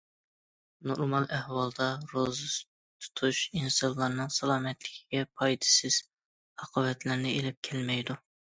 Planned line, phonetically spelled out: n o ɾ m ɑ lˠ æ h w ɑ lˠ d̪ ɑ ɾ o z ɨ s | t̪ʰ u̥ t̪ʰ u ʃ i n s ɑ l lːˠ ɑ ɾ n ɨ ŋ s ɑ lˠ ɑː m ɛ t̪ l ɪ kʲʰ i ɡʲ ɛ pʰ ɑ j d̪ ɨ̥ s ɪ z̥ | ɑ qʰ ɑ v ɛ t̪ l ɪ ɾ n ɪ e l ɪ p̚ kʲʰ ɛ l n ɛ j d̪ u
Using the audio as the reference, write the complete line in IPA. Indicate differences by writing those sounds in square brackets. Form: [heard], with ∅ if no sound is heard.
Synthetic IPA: n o ɾ m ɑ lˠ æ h w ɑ lˠ d̪ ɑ ɾ o z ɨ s | t̪ʰ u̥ t̪ʰ u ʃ i n s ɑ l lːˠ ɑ ɾ n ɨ ŋ s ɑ lˠ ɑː m ɛ t̪ l ɪ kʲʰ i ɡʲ ɛ pʰ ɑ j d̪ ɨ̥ s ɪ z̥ | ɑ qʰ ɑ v ɛ t̪ l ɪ ɾ n ɪ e l ɪ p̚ kʲʰ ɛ l [m] ɛ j d̪ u